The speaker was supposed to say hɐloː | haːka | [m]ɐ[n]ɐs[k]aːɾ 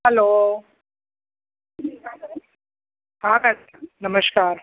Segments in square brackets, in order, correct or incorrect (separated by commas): incorrect, incorrect, correct